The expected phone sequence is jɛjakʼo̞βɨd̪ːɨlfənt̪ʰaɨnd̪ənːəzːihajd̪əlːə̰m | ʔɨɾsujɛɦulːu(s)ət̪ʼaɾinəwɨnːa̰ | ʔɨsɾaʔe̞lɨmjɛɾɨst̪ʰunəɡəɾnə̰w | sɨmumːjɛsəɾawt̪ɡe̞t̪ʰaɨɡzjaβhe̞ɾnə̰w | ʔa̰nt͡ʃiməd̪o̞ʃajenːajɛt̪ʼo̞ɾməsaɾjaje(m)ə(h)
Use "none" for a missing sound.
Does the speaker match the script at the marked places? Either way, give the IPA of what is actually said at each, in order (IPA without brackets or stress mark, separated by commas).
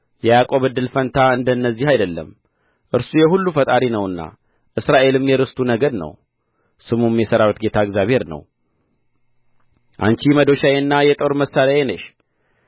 f, n, ʃ